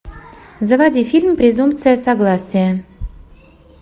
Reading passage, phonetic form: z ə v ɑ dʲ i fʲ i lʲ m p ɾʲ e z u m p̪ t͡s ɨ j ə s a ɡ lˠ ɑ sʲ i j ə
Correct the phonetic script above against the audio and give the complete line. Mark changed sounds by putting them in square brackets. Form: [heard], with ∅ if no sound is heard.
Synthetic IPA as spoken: z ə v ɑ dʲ i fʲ i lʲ m p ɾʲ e z u m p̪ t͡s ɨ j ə s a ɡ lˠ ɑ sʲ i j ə